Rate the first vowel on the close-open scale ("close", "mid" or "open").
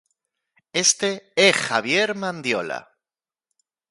mid